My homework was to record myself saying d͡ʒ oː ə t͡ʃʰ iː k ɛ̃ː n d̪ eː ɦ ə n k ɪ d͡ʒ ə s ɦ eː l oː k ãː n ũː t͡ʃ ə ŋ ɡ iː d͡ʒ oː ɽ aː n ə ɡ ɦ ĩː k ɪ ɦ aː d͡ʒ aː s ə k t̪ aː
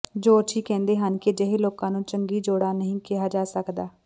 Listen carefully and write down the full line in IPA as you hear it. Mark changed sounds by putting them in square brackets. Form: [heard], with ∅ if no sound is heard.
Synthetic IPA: d͡ʒ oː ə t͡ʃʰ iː k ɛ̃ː n d̪ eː ɦ ə n k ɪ d͡ʒ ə [∅] ɦ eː l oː k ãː n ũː t͡ʃ ə ŋ ɡ iː d͡ʒ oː ɽ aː n ə [∅] ɦ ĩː k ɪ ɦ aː d͡ʒ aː s ə k [d̪] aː